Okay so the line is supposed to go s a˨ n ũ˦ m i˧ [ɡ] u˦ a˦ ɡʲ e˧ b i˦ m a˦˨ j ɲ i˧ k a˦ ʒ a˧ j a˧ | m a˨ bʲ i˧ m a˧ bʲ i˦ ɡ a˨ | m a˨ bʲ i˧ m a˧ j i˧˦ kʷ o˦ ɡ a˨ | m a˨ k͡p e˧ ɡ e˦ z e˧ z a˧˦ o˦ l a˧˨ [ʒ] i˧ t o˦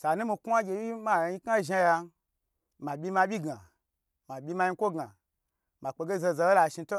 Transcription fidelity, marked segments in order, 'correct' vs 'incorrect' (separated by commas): incorrect, incorrect